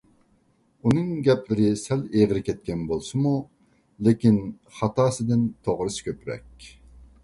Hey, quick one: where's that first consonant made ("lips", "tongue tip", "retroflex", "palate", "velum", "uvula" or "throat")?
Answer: tongue tip